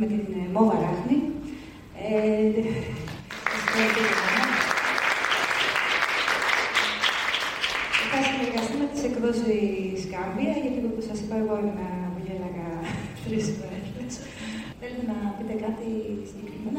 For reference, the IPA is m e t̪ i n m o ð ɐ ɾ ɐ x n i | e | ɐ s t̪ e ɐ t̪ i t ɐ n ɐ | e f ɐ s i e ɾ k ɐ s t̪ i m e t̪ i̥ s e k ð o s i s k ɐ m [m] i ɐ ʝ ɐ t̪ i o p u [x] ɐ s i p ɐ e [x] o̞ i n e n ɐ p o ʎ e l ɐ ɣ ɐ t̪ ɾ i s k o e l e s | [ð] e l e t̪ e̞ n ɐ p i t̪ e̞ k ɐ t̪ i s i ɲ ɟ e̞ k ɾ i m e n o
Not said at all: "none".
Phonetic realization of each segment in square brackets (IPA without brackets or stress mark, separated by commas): b, s, ɣ, θ